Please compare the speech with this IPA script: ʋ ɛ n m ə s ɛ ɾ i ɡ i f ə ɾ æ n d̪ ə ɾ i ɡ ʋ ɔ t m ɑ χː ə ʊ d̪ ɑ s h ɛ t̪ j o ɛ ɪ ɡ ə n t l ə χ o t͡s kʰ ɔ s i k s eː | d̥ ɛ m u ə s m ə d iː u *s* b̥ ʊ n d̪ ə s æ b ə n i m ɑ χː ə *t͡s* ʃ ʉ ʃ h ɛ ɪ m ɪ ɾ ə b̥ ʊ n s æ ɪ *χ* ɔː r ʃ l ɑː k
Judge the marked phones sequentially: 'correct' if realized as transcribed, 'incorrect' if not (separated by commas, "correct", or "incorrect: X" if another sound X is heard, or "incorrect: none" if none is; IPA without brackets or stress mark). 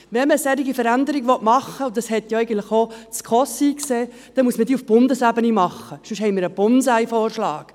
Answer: incorrect: f, incorrect: none, incorrect: f